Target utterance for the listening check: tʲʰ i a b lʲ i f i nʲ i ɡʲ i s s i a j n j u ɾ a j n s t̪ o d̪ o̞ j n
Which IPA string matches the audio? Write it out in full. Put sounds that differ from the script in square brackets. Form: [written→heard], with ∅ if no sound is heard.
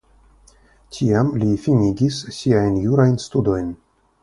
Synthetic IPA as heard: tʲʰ i a [b→m] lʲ i f i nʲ i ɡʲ i s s i a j n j u ɾ a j n s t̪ [o→u] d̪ o̞ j n